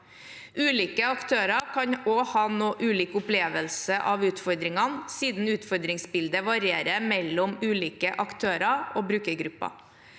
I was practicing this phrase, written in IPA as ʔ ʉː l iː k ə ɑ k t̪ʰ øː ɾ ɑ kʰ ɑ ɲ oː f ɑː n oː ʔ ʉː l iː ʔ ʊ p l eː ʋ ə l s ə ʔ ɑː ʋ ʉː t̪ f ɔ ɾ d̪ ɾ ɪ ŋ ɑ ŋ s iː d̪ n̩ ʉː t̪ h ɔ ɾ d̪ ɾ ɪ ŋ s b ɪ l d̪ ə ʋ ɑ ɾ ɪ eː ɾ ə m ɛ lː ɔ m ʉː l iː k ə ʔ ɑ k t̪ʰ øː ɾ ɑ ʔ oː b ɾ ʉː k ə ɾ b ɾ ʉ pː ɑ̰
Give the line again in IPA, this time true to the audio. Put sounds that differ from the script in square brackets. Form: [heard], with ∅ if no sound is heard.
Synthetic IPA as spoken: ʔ ʉː l iː k ə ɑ k t̪ʰ øː ɾ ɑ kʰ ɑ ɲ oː [h] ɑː n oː ʔ ʉː l iː [k] ʊ p l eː ʋ ə l s ə ʔ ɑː ʋ ʉː t̪ f ɔ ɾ d̪ ɾ ɪ ŋ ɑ [n] s iː d̪ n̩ ʉː t̪ [f] ɔ ɾ d̪ ɾ ɪ ŋ s b ɪ l d̪ ə ʋ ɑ ɾ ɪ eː ɾ ə m ɛ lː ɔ m ʉː l iː k ə ʔ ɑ k t̪ʰ øː ɾ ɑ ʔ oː b ɾ ʉː k ə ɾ [ɡ] ɾ ʉ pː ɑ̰